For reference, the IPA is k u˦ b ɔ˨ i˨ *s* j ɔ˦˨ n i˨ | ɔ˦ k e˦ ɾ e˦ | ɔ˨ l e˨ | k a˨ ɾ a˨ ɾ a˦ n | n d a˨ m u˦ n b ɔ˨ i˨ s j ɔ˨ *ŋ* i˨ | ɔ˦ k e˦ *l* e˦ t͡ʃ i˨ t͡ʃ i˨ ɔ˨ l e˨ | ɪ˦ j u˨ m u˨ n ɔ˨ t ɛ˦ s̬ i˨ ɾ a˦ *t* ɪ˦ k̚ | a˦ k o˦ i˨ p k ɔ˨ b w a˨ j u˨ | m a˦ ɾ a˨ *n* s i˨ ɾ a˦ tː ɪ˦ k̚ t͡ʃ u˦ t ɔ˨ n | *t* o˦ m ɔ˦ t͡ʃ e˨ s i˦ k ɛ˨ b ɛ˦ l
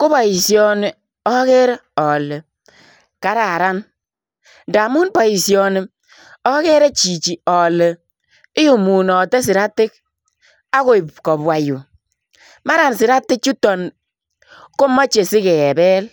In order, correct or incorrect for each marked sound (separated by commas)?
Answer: correct, incorrect, incorrect, correct, correct, incorrect